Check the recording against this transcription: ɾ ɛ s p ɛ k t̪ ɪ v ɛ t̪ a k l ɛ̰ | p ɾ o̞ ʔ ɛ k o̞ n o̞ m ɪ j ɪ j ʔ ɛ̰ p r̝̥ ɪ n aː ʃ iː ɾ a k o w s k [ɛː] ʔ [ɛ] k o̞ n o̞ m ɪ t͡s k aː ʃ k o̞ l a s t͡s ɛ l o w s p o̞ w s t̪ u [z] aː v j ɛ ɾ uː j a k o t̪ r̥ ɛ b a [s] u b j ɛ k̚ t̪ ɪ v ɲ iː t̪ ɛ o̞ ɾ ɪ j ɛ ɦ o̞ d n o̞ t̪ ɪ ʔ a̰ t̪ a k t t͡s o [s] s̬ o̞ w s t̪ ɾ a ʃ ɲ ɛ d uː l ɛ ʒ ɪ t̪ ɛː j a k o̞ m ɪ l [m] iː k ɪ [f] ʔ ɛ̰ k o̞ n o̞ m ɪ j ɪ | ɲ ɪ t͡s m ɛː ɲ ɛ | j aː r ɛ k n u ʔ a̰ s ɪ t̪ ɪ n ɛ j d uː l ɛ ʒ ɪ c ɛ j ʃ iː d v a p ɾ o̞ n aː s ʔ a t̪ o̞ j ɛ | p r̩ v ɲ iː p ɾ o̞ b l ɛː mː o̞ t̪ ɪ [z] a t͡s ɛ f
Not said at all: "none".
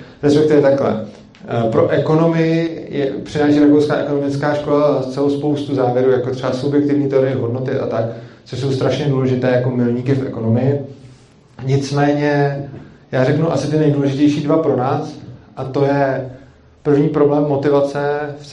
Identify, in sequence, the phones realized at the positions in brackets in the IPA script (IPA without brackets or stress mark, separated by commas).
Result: aː, ɛ, z, s, ʃ, ɲ, f, v